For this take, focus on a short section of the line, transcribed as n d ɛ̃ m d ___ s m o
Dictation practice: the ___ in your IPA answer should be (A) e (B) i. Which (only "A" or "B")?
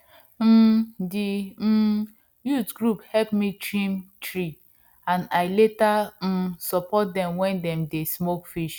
A